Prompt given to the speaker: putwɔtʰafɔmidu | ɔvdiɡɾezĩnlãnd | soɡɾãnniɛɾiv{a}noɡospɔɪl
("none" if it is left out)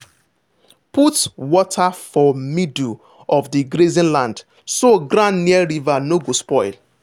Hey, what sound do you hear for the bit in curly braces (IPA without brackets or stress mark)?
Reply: a